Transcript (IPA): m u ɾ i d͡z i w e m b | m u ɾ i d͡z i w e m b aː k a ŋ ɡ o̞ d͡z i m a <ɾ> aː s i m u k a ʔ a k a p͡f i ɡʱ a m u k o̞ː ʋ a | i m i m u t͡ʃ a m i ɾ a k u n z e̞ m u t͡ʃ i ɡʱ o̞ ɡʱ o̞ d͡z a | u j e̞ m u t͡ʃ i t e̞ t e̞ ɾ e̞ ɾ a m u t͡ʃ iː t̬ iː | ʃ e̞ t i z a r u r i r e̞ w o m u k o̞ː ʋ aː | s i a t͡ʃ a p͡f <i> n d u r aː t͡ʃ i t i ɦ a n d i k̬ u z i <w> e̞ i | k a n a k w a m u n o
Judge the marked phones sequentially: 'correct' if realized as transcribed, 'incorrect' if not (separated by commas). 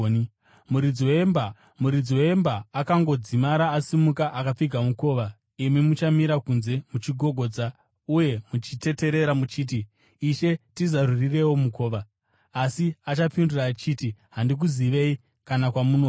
correct, correct, incorrect